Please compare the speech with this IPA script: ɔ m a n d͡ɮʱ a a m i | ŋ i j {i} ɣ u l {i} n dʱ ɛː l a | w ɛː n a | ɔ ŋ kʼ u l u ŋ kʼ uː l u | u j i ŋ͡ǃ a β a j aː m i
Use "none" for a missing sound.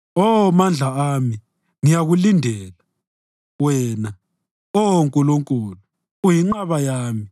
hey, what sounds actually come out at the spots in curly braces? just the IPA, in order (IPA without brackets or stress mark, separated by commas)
a, i